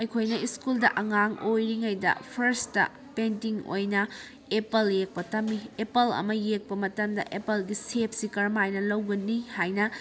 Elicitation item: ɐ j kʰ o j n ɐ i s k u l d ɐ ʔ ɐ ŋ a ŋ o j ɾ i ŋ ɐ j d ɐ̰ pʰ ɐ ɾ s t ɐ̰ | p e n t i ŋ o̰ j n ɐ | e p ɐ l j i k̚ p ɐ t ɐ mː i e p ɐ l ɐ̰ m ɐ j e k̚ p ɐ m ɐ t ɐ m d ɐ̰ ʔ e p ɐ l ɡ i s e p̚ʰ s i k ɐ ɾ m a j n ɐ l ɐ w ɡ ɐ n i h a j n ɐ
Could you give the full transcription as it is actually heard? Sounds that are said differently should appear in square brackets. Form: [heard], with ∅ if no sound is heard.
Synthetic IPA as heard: ɐ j kʰ o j n ɐ i s k u l d ɐ ʔ ɐ ŋ a ŋ o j ɾ i ŋ ɐ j d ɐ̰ pʰ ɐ ɾ s t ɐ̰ | p e n t i ŋ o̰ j n ɐ | e p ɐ l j [e] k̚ p ɐ t ɐ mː i e p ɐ l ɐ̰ m ɐ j e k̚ p ɐ m ɐ t ɐ m d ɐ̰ ʔ e p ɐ l ɡ i s e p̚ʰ s i k ɐ ɾ m a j n ɐ l ɐ w ɡ ɐ n i h a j n ɐ